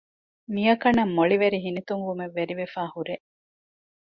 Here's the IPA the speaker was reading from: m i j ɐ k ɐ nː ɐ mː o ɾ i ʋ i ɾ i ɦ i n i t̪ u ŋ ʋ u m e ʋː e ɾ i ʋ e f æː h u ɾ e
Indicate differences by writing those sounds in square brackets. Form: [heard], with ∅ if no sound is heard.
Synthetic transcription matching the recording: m i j ɐ k ɐ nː ɐ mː o [ɭ] i ʋ [e] ɾ i ɦ i n i t̪ u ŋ ʋ u m e ʋː e ɾ i ʋ e f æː h u ɾ e